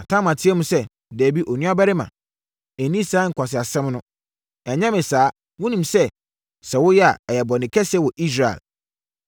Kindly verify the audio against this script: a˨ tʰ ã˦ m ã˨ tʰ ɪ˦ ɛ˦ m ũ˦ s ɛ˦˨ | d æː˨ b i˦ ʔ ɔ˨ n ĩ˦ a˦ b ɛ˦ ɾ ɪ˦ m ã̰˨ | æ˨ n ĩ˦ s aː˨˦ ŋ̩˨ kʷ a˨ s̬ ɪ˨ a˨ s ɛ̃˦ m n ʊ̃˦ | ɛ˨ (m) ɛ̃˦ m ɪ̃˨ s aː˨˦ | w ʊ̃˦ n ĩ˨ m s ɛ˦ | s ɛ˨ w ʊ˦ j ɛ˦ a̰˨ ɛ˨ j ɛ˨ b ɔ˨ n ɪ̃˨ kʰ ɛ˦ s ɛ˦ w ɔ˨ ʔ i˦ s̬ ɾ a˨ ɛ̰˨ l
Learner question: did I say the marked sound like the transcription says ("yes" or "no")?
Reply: no